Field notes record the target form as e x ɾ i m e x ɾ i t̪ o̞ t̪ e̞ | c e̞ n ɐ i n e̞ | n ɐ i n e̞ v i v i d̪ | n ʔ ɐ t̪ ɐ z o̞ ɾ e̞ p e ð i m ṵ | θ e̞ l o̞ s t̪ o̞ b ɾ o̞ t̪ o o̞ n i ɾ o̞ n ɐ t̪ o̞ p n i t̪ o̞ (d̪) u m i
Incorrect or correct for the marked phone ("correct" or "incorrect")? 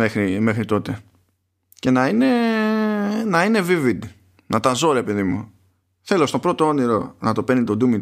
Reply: correct